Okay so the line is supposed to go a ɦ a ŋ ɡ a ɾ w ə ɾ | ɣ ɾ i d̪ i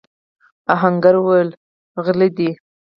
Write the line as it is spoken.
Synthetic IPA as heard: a ɦ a ŋ ɡ a ɾ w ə l | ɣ l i d̪ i